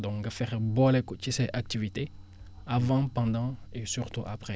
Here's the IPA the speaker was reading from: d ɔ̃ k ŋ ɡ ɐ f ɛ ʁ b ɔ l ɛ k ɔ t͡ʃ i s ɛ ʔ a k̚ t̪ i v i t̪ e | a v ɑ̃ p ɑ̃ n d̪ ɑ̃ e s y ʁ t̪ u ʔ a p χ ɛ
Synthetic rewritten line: d ɔ̃ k ŋ ɡ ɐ f ɛ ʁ b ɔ l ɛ k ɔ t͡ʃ i s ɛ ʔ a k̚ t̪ i v i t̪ e | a v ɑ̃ p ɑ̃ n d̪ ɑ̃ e s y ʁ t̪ u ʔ a p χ ɛ

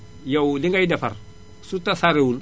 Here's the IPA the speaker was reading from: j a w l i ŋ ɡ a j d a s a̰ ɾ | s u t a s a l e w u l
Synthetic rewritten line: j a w l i ŋ ɡ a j d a f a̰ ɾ | s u t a s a ɾ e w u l

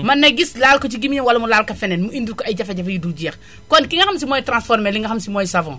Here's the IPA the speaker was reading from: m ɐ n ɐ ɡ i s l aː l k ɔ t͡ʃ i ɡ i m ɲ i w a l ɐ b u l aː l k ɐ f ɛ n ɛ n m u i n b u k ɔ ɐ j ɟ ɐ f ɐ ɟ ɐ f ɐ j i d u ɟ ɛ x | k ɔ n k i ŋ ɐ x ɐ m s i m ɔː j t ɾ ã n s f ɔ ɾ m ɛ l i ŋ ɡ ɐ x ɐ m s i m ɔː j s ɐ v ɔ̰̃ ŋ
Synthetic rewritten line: m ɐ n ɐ ɡ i s l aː l k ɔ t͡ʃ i ɡ i m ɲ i w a l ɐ m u l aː l k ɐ f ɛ n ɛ n m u i n d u k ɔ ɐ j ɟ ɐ f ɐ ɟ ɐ f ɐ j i d u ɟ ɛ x | k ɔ n k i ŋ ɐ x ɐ m s i m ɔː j t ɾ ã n s f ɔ ɾ m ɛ l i ŋ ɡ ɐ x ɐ m s i m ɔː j s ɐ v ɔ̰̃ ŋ

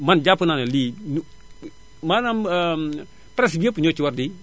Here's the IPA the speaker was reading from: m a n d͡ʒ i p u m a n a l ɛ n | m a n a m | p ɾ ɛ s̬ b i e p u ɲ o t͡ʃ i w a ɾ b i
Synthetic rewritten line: m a n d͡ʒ a p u n a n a l i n | m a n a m | p ɾ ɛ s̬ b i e p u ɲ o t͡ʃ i w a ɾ d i

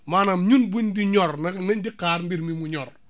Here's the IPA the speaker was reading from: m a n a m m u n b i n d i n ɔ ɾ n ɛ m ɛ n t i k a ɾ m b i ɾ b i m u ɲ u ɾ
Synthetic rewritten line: m a n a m ɲ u n b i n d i ɲ ɔ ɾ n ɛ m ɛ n d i k a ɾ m b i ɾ m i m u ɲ ɔ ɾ

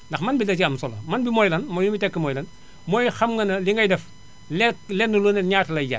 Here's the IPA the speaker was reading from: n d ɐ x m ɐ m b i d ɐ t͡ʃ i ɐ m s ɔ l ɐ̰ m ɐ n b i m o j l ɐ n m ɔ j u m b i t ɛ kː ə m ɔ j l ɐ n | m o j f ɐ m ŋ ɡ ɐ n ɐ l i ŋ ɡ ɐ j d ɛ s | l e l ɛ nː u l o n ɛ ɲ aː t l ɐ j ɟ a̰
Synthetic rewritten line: n d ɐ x m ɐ n b i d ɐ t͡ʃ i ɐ m s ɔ l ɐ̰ m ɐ n b i m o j l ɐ n m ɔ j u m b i t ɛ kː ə m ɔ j l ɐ n | m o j x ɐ m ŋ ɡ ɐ n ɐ l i ŋ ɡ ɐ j d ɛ f | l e l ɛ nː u l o n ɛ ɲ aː t l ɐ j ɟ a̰

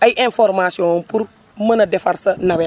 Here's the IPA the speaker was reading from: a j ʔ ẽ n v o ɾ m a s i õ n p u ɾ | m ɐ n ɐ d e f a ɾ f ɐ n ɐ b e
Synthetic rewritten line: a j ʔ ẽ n f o ɾ m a s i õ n p u ɾ | m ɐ n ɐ d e f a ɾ s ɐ n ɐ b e

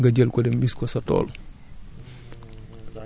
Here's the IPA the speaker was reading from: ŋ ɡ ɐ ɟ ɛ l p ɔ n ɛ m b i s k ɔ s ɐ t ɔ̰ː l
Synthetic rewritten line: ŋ ɡ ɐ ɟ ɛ l k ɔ d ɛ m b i s k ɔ s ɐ t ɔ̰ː l

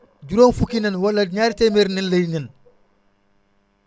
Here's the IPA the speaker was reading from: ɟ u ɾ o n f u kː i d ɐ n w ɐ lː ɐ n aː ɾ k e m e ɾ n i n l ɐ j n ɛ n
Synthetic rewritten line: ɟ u ɾ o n f u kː i n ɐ n w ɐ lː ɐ ɲ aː ɾ t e m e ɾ n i n l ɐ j n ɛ n

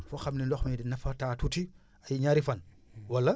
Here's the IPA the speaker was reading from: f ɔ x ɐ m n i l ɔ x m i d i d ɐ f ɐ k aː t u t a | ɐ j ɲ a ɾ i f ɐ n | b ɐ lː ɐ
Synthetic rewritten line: f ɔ x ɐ m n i l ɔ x m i d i n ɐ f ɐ t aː t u t i | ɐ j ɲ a ɾ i f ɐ n | w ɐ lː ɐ

